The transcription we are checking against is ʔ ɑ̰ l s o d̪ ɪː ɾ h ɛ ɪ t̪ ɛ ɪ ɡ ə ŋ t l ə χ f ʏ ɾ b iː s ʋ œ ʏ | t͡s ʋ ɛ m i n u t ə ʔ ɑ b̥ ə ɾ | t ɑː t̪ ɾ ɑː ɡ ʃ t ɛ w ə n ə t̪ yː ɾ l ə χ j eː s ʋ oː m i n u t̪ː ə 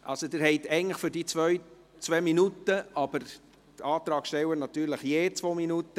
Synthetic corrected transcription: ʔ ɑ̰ l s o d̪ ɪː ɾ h ɛ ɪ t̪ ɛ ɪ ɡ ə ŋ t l ə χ f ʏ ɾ d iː t͡s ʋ œ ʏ | t͡s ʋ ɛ m i n u t ə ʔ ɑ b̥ ə ɾ | t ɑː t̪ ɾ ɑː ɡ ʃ t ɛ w ə n ɑ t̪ yː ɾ l ə χ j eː t͡s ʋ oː m i n u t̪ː ə

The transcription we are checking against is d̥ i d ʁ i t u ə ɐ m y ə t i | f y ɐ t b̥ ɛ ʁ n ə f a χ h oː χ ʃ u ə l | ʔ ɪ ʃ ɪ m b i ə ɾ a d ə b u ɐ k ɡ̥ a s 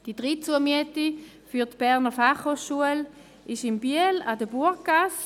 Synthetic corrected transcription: d̥ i d ʁ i t͡s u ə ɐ m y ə t i | f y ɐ t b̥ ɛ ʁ n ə f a χ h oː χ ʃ u ə l | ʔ ɪ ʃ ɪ m b i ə l a d ə b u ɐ k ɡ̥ a s

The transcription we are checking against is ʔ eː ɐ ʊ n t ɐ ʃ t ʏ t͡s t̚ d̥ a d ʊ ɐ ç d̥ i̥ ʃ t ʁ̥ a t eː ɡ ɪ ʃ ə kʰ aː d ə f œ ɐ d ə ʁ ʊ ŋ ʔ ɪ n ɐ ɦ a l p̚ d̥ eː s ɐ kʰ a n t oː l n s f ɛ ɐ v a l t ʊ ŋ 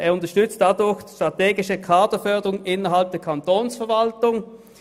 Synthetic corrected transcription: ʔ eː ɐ ʊ n t ɐ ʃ t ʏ t͡s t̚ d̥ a d ʊ ɐ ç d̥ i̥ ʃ t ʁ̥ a t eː ɡ ɪ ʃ ə kʰ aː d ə f œ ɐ d ə ʁ ʊ ŋ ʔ ɪ n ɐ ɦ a l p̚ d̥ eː ɐ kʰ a n t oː n s f ɛ ɐ v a l t ʊ ŋ

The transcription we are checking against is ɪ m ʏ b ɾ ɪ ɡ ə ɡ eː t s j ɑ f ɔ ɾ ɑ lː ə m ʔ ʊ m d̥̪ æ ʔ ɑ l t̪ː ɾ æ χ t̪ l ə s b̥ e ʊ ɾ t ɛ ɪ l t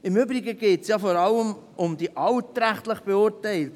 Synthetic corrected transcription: ɪ m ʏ b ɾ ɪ ɡ ə ɡ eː t s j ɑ f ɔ ɾ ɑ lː ə m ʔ ʊ m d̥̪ i ʔ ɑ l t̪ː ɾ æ χ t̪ l ə χ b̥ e ʊ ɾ t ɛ ɪ l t

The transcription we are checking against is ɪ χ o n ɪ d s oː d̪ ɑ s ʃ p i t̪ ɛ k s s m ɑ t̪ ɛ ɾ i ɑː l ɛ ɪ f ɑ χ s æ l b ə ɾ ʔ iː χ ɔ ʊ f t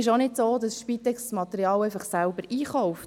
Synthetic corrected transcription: ɪ ʃ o n ɪ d s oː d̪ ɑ s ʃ p i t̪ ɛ k s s m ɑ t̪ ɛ ɾ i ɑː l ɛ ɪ f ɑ χ s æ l b ə ɾ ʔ iː χ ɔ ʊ f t

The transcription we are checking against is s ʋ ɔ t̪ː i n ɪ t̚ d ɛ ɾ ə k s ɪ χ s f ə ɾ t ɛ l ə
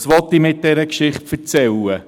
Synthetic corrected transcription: s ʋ ɔ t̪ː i m ɪ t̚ d ɛ ɾ ə k ʃ ɪ χ t f ə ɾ t͡s ɛ l ə

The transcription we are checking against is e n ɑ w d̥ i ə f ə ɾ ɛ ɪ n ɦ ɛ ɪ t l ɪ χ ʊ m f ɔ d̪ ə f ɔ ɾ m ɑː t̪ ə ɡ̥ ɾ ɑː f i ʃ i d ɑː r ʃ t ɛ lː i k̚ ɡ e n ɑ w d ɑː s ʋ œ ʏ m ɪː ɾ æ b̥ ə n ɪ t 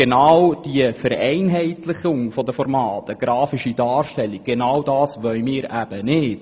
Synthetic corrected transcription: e n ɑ w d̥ i ə f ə ɾ ɛ ɪ n ɦ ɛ ɪ t l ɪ χ ʊ ŋ f ɔ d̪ ə f ɔ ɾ m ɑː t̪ ə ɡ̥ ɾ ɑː f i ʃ i d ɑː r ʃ t ɛ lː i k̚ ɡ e n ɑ w d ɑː s ʋ œ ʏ m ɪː ɾ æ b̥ ə n ɪ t

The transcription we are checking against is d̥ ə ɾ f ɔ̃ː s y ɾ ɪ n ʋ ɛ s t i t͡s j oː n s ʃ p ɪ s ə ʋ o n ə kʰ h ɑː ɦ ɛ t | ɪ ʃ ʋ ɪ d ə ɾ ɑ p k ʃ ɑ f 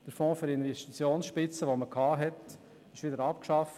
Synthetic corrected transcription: d̥ ə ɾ f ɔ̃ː f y ɾ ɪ n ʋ ɛ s t i t͡s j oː n s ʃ p ɪ t͡s ə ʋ o m ə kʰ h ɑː ɦ ɛ t | ɪ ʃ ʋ ɪ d ə ɾ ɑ p k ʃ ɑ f

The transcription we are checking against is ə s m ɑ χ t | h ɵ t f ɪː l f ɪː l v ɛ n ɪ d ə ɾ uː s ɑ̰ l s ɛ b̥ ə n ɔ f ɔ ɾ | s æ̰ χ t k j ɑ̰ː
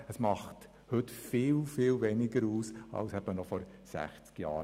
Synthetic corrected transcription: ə s m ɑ χ t | h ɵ t f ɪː l f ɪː l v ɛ n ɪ ɡ ə ɾ uː s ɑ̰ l s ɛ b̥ ə n ɔ f ɔ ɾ | s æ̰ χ t͡s k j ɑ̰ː

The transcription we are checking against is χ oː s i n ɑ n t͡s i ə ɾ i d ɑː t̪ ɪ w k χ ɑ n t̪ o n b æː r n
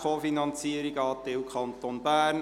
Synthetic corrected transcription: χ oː f i n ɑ n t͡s i ə ɾ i ɡ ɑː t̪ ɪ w k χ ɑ n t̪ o n b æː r n

